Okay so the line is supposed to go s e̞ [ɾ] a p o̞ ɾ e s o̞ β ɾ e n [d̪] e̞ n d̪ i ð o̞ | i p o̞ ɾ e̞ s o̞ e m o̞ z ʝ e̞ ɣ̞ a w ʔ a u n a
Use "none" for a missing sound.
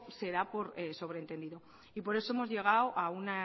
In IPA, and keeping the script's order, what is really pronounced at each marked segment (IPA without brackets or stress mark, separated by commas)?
ɾ, t̪